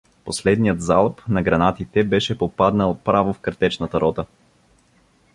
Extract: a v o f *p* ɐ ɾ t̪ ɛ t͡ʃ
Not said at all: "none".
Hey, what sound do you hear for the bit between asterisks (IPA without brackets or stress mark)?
k